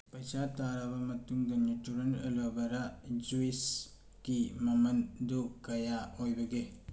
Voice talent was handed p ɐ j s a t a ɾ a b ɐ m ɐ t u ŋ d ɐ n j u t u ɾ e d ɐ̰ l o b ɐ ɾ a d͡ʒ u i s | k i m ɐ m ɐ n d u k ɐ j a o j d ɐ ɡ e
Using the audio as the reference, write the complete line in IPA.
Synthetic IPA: p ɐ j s a t a ɾ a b ɐ m ɐ t u ŋ d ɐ n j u t u ɾ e n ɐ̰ l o b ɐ ɾ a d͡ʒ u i s | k i m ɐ m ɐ n d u k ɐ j a o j b ɐ ɡ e